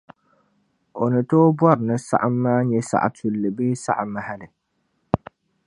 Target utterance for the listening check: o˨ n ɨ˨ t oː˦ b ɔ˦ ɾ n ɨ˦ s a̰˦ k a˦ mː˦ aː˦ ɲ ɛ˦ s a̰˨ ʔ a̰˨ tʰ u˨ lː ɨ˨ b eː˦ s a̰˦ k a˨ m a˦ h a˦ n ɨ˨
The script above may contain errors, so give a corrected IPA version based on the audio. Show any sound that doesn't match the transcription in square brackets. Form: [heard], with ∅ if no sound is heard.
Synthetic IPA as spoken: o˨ n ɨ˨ t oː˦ b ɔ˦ ɾ n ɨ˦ s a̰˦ [ʔ] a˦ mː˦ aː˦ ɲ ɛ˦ s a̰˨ ʔ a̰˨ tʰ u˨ lː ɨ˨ b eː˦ s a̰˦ [ʔ] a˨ m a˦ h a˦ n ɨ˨